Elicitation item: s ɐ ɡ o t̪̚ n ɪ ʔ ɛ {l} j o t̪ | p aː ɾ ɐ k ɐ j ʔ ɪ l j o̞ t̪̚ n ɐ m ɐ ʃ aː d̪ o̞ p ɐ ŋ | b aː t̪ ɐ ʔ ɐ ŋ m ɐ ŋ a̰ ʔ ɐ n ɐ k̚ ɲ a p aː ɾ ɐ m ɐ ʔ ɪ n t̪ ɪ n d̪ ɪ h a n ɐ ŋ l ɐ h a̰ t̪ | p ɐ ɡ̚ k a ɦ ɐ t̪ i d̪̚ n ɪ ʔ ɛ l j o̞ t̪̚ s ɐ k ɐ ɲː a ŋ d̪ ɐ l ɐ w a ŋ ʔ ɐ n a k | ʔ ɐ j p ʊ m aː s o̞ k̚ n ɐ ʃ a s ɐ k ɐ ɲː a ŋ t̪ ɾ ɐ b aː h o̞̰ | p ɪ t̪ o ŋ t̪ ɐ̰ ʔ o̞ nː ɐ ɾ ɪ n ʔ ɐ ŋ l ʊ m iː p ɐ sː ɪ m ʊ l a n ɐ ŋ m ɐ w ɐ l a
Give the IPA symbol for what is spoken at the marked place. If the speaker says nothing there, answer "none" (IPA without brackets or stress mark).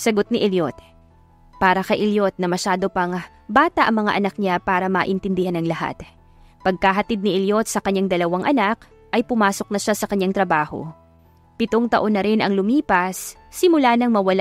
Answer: l